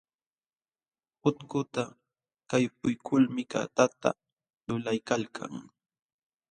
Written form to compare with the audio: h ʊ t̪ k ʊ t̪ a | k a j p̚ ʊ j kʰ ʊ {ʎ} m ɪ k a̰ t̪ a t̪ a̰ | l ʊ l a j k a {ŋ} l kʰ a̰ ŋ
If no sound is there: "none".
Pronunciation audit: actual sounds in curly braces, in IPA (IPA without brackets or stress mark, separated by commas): l, none